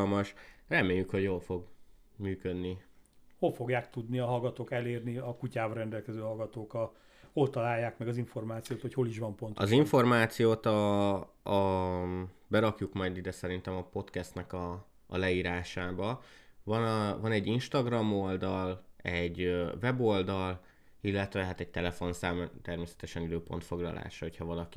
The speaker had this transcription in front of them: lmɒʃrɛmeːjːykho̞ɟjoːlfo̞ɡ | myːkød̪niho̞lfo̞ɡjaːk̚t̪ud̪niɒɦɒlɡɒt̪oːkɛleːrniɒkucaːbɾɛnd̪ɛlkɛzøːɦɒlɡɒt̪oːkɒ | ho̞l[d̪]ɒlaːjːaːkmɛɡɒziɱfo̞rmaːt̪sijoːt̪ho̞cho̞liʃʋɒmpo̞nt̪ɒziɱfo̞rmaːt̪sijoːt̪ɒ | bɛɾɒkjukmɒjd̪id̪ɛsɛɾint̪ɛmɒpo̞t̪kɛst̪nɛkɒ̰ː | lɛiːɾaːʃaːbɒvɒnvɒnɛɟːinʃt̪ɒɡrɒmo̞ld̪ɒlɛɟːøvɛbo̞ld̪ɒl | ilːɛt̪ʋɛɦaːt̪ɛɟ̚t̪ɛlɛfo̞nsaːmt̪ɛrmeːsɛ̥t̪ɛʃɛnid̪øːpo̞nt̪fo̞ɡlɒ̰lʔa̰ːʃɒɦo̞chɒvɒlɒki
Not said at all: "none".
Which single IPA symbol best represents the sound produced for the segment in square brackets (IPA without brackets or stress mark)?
t̪